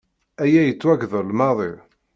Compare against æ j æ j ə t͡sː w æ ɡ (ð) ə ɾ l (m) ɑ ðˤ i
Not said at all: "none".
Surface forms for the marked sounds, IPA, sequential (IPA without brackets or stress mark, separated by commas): ð, m